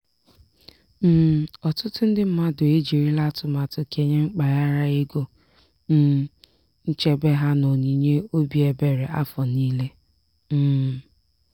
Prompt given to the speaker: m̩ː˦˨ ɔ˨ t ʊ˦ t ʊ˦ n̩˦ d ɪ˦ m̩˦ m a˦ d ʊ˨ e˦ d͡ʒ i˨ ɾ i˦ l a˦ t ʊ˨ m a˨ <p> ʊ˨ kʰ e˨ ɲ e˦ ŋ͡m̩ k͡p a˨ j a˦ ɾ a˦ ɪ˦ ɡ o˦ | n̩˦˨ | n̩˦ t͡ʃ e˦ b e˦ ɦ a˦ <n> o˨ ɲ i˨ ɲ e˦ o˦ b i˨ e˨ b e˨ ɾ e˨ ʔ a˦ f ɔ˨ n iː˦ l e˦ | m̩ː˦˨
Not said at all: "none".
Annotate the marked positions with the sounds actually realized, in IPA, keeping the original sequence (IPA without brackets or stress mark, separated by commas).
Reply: t, n